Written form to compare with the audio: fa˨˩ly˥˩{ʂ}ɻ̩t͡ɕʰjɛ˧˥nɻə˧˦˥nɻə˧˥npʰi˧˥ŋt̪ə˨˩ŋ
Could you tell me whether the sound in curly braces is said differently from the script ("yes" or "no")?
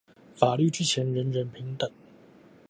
yes